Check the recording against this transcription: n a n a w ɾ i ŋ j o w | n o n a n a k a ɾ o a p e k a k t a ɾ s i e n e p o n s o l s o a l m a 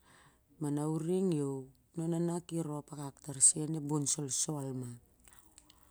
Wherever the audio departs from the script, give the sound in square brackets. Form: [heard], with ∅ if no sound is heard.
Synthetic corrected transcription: [m] a n a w ɾ i ŋ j o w | n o n a n a k [i] ɾ o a p [a] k a k t a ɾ s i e n e [b] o n s o l s o a l m a